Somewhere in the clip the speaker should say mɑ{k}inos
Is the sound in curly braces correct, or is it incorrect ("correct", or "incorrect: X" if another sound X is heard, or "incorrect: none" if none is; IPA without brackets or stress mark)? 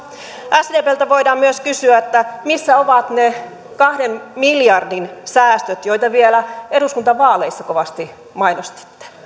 incorrect: none